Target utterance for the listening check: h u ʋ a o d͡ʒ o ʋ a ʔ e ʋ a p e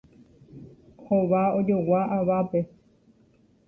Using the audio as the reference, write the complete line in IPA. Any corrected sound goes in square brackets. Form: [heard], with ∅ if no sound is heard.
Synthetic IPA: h [o] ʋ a o d͡ʒ o [w] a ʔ [a] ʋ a p e